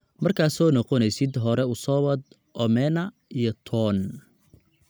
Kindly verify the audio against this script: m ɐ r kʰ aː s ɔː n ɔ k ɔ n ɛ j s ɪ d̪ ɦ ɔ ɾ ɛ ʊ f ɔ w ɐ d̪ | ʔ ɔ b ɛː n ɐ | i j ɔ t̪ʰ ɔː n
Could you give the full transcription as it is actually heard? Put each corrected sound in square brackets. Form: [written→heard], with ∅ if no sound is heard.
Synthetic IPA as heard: m ɐ r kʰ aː s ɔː n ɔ [k→q] ɔ n ɛ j s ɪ d̪ ɦ ɔ ɾ ɛ ʊ [f→s] ɔ w ɐ d̪ | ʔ ɔ [b→m] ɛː n ɐ | i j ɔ t̪ʰ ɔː n